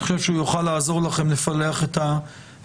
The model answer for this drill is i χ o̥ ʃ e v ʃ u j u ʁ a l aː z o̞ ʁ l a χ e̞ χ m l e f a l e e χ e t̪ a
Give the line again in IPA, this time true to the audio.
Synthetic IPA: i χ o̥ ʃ e v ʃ u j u χ a l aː z o̞ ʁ l a χ e̞ m l e f a l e a χ e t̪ a

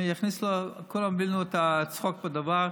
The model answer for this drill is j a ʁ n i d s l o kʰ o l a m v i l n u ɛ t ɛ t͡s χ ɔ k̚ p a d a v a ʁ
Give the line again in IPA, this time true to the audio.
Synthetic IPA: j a χ n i s l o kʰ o l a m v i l n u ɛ t a t͡s χ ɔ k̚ b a d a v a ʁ

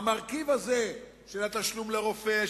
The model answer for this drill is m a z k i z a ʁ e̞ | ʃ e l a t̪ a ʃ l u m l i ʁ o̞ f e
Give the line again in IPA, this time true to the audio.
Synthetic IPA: m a ʁ k i v a z e̞ | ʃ e l a t̪ a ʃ l u m l e ʁ o̞ f e

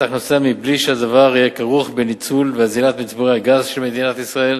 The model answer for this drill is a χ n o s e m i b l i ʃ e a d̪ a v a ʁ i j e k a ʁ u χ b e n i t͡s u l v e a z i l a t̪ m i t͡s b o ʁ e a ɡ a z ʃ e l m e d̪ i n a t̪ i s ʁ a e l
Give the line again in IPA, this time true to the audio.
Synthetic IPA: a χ n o s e m i b l i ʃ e a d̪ a v a ʁ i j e k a ʁ u χ b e n i t͡s u l v e a z i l a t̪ m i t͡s b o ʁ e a ɡ a z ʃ e l m e d̪ i n a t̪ i s ʁ a e l

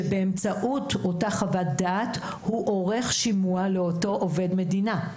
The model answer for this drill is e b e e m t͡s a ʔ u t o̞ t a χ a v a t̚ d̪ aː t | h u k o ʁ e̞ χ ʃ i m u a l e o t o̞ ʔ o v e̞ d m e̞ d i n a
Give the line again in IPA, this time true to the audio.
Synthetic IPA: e b e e m t͡s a ʔ u t o̞ t a χ a v a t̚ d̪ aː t | h u ʔ o ʁ e̞ χ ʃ i m u a l e o t o̞ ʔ o v e̞ d m e̞ d i n a

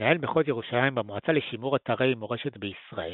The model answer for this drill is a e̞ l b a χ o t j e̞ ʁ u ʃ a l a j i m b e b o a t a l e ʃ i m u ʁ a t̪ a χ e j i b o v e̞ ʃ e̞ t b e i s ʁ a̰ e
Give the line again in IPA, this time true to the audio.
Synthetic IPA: a e̞ l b e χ o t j e̞ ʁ u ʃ a l a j i m b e m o a t͡s a l e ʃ i m u ʁ a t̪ a ʁ e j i m o ʁ e̞ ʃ e̞ t b e i s ʁ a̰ e

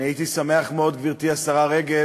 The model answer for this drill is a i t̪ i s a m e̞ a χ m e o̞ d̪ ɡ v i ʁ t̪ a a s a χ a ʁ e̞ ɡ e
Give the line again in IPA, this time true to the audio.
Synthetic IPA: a i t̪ i s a m e̞ a χ m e o̞ d̪ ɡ v i ʁ t̪ i a s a ʁ a ʁ e̞ ɡ e

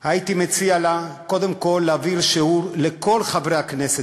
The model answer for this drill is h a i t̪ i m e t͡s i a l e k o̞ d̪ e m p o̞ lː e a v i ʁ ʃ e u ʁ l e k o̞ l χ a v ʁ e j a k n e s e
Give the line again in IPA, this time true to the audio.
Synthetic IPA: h a i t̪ i m e t͡s i a l a k o̞ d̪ e m k o̞ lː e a v i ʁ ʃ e u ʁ l e k o̞ l χ a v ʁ e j a k n e s e

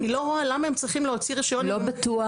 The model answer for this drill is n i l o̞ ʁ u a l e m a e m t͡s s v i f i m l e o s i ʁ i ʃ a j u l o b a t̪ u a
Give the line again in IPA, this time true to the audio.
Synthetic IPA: n i l o̞ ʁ o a l a m a e m t͡s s ʁ i χ i m l e o t͡s i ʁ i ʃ a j o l o b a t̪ u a

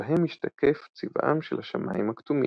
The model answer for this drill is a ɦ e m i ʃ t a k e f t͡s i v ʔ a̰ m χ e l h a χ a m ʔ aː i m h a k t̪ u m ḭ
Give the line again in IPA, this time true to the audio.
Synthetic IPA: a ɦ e m i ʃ t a k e f t͡s i v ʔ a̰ m ʃ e l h a ʃ a m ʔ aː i m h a k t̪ u m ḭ

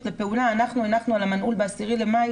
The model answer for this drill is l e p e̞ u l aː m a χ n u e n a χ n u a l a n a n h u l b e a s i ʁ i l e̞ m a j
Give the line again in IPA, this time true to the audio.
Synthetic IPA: l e p e̞ u l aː n a χ n u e n a χ n u a l a m a n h u l b e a s i ʁ i l e̞ m a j

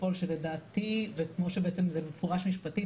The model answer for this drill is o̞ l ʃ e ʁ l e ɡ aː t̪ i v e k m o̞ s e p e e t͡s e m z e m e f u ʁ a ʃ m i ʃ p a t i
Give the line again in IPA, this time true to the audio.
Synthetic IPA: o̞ l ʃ e l e d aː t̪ i v e k m o̞ ʃ e b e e t͡s e m z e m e f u ʁ a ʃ m i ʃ p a t i

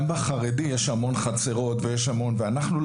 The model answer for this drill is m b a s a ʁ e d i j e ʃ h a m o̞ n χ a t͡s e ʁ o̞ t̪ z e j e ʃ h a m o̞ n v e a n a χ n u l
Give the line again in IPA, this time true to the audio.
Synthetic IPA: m b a χ a ʁ e d i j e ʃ h a m o̞ n χ a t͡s e ʁ o̞ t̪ v e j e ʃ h a m o̞ n v e a n a χ n u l

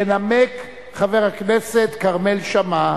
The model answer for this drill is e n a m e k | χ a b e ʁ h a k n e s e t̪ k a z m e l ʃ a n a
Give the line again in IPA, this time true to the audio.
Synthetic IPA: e n a m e k | χ a v e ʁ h a k n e s e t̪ k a ʁ m e l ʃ a m a

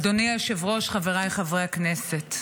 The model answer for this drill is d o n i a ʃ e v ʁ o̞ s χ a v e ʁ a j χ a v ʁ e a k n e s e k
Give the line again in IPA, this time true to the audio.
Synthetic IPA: d o n i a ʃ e v ʁ o̞ ʃ χ a v e ʁ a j χ a v ʁ e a k n e s e t

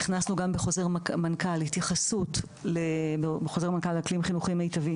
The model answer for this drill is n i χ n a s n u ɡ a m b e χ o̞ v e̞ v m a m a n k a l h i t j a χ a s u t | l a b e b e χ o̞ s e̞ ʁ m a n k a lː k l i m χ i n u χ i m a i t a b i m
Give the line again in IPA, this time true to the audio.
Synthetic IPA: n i χ n a s n u ɡ a m b e χ o̞ z e̞ ʁ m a m a n k a l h i t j a χ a s u t | l e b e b e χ o̞ z e̞ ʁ m a n k a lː k l i m χ i n u χ i m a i t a v i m

